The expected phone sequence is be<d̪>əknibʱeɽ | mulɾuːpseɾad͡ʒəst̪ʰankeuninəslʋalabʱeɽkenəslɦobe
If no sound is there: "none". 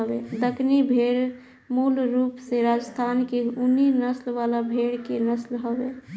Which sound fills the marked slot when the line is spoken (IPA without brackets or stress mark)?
d̪